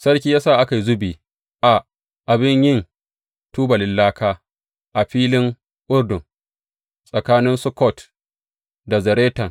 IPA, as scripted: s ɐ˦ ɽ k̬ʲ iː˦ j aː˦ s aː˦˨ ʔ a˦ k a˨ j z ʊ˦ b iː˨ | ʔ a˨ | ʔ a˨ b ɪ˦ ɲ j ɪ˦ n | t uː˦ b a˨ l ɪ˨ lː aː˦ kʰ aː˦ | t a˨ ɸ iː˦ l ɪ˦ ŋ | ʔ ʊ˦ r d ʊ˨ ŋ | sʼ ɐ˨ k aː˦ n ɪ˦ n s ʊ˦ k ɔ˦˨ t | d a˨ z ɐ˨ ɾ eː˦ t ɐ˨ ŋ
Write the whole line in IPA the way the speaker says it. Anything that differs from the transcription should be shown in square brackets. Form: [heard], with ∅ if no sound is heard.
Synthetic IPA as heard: s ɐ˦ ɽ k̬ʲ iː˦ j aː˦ s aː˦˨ ʔ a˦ k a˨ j z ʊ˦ b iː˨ | ʔ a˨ | ʔ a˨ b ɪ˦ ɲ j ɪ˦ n | t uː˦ b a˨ l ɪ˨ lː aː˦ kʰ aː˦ | [ʔ] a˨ ɸ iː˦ l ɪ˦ ŋ | ʔ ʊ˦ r d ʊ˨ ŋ | sʼ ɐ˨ k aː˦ n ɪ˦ n s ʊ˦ k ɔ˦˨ t | d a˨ z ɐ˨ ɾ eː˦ t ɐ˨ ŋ